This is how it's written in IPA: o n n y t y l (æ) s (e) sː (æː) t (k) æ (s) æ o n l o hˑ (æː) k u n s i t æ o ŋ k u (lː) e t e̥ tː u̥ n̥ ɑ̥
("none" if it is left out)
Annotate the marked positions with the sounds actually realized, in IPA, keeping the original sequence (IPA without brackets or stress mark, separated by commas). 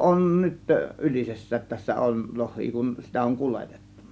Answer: i, e, æː, t, sː, iː, l